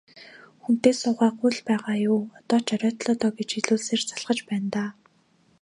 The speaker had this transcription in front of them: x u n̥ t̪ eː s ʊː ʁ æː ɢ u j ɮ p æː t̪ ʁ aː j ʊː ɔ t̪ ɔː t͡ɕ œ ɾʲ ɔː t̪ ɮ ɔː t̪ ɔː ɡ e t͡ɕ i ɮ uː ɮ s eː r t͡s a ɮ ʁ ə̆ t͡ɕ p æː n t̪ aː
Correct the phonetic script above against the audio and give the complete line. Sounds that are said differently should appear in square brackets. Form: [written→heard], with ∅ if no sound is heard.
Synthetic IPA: x u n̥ t̪ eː s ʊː ʁ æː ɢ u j ɮ p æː [t̪→∅] ʁ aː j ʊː ɔ t̪ ɔː t͡ɕ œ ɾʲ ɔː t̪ ɮ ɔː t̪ ɔː ɡ e t͡ɕ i ɮ uː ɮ s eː r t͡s a ɮ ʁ ə̆ t͡ɕ p æː n t̪ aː

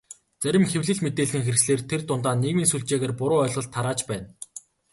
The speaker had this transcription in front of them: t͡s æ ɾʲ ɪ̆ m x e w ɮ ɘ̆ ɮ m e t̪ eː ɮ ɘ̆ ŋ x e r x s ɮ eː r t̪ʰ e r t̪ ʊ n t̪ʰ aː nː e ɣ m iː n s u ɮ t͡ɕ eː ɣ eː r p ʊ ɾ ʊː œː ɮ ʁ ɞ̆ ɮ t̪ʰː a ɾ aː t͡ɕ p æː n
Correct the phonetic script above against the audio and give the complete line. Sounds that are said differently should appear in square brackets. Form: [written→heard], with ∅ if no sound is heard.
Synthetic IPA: t͡s æ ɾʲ ɪ̆ m x e w ɮ ɘ̆ ɮ m e t̪ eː ɮ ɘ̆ ŋ x e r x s ɮ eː r t̪ʰ e r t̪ ʊ n [t̪ʰ→t̪] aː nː e ɣ m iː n s u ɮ t͡ɕ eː ɣ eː r p ʊ ɾ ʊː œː ɮ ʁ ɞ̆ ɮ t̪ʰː a ɾ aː t͡ɕ p æː n

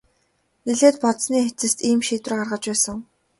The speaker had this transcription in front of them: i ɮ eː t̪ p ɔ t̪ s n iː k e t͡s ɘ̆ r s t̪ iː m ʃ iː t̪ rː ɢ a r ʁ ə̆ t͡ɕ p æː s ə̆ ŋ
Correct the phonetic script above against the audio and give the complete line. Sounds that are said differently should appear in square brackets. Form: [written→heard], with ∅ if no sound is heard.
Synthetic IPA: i ɮ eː t̪ p ɔ t̪ s n iː [k→x] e t͡s ɘ̆ [r→∅] s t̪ iː m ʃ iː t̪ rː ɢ a r ʁ ə̆ t͡ɕ p æː s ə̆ ŋ

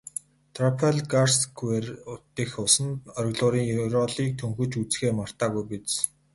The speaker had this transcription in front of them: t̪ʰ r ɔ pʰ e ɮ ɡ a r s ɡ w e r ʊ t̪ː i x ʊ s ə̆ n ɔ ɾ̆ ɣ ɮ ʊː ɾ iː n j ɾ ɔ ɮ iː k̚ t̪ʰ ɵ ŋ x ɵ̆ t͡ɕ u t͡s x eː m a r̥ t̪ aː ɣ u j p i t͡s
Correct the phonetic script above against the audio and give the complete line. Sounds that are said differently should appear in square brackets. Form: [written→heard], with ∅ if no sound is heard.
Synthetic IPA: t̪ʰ r ɔ pʰ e ɮ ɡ a r s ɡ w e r ʊ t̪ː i x ʊ s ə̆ n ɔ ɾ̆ ɣ ɮ ʊː ɾ iː [n→ŋ] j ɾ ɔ ɮ iː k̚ t̪ʰ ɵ ŋ x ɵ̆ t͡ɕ u t͡s x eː m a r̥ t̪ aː ɣ u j p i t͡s

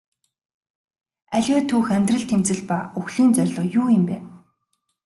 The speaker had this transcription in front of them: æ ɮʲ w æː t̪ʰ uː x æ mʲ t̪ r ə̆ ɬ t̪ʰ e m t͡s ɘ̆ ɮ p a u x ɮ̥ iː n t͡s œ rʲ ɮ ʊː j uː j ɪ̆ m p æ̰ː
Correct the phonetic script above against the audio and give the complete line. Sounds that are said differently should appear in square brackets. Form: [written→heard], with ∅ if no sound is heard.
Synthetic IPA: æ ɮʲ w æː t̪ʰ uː x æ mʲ t̪ r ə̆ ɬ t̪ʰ e m t͡s ɘ̆ ɮ p a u x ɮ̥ iː n t͡s œ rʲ ɮ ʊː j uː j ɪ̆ m p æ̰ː

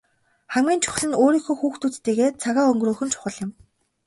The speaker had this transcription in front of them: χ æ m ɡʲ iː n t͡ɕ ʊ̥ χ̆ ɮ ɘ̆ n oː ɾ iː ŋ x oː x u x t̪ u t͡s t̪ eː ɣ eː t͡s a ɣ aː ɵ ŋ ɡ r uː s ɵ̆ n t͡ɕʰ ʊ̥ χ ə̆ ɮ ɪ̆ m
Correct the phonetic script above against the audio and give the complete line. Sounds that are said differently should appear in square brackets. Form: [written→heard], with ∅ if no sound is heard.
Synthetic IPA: χ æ m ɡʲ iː n [t͡ɕ→t͡ɕʰ] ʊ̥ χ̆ ɮ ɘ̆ n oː ɾ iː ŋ x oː x [u→uː] x t̪ u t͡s t̪ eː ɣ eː [t͡s→t͡sʰ] a ɣ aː ɵ ŋ ɡ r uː [s→x] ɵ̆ n t͡ɕʰ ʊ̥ χ ə̆ ɮ ɪ̆ m

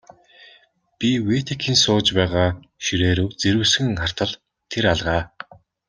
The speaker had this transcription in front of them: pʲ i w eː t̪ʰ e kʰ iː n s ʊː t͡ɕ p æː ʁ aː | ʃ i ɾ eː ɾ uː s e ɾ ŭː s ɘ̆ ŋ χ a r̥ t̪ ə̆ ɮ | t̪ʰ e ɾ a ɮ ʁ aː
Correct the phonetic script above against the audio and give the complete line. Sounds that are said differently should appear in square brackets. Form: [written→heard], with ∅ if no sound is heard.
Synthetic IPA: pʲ i w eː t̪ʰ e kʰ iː n s ʊː t͡ɕ p æː ʁ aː | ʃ i ɾ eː ɾ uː [s→t͡s] e ɾ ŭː s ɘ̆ ŋ χ a r̥ t̪ ə̆ ɮ | t̪ʰ e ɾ a ɮ ʁ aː

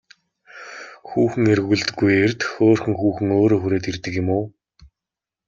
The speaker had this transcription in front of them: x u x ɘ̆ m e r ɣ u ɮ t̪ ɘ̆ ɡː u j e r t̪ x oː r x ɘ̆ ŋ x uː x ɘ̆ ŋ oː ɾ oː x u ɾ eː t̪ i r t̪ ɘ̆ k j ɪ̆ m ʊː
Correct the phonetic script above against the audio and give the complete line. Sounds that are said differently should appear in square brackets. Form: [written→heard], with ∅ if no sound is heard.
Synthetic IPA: x [u→uː] x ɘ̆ [m→ŋ] e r ɣ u ɮ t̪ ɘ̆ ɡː u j e r t̪ x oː r x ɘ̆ ŋ x uː x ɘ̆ ŋ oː ɾ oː x u ɾ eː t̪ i r t̪ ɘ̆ k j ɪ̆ m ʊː

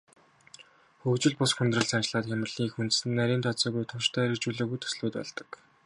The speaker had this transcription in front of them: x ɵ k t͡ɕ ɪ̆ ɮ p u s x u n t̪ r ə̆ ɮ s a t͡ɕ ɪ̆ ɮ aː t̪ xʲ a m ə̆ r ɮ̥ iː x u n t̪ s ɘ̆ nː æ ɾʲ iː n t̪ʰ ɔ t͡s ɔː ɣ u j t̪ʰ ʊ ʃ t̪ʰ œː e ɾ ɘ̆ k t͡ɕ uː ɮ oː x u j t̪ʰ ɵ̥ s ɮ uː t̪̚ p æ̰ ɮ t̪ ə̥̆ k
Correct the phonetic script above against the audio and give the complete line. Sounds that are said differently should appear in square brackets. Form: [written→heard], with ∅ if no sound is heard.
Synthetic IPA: x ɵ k t͡ɕ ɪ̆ ɮ p [u→ʊ] s x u n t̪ r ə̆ ɮ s a t͡ɕ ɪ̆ ɮ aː t̪ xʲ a m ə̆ r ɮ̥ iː x u n t̪ s ɘ̆ nː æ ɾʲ iː n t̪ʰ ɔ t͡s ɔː ɣ u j t̪ʰ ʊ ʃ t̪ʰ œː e ɾ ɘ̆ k t͡ɕ uː ɮ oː [x→ɣ] u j t̪ʰ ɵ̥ s ɮ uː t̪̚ p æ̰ ɮ t̪ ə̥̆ k

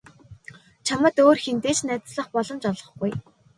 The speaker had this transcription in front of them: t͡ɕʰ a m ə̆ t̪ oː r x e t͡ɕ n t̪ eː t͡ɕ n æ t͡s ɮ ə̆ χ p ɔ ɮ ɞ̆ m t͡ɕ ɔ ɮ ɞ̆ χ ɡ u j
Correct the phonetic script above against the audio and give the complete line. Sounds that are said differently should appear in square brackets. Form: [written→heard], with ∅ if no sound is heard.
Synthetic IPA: t͡ɕʰ a m ə̆ t̪ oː r x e [t͡ɕ→∅] n t̪ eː t͡ɕ n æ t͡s ɮ ə̆ χ p ɔ ɮ ɞ̆ m t͡ɕ ɔ ɮ ɞ̆ χ ɡ u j

